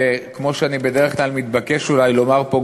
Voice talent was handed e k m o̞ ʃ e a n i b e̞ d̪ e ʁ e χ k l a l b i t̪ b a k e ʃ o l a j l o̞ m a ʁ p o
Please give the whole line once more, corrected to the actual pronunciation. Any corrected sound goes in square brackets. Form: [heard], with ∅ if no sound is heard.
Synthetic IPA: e k m o̞ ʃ e a n i b e̞ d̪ e ʁ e χ k l a l [m] i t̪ b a k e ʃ [u] l a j l o̞ m a ʁ p o